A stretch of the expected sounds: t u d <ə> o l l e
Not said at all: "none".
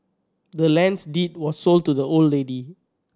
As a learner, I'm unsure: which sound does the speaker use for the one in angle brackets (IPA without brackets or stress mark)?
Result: ə